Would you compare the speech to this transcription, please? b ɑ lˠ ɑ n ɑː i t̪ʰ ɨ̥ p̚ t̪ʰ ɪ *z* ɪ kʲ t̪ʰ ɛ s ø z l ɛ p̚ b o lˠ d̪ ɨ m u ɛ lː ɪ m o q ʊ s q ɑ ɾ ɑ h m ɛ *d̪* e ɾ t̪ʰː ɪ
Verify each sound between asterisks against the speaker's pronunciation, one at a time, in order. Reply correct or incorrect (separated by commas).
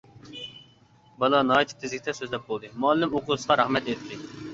correct, incorrect